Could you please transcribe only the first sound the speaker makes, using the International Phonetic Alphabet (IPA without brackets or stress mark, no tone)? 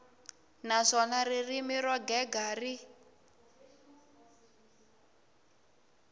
n